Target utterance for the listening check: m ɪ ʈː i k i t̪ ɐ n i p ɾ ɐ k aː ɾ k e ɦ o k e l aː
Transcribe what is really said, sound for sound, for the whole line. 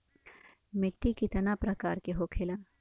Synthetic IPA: m ɪ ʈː i k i t̪ ɐ n a p ɾ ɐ k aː ɾ k e ɦ o kʰ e l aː